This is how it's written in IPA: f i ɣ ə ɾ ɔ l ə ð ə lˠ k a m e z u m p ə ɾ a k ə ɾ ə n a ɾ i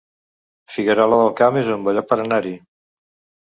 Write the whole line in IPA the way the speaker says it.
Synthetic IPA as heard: f i ɣ ə ɾ ɔ l ə ð ə lˠ k a m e z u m b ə ʎ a p ə ɾ ə n a ɾ i